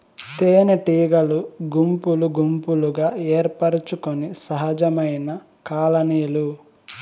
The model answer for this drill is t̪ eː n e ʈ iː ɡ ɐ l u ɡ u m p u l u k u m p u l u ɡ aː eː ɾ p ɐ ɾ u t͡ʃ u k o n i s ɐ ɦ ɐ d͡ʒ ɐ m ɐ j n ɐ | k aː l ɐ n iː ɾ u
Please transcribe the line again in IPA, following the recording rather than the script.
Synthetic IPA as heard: t̪ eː n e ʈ iː ɡ ɐ l u ɡ u m p u l u ɡ u m p u l u ɡ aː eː ɾ p ɐ ɾ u t͡ʃ u k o n i s ɐ ɦ ɐ d͡ʒ ɐ m ɐ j n ɐ | k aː l ɐ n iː l u